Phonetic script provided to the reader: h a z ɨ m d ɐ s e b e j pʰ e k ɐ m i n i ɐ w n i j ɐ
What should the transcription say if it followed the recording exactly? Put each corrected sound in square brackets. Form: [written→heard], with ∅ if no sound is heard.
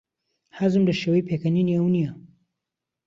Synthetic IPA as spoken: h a z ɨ m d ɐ [s→ʃ] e [b→w] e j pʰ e k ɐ [m→n] i n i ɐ w n i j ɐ

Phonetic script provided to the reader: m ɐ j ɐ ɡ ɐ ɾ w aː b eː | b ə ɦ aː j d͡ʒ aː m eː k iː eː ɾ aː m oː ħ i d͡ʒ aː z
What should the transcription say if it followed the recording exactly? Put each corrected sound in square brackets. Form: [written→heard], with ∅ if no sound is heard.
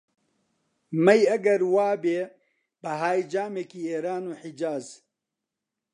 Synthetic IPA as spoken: m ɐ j ɐ ɡ ɐ ɾ w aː b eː | b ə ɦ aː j d͡ʒ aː m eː k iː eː ɾ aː [m→n] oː ħ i d͡ʒ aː z

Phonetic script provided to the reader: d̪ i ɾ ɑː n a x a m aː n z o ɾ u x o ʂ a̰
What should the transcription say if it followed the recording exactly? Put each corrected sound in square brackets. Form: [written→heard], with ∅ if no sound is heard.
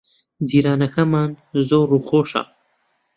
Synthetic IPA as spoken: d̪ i ɾ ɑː n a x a m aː n z o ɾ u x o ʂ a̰

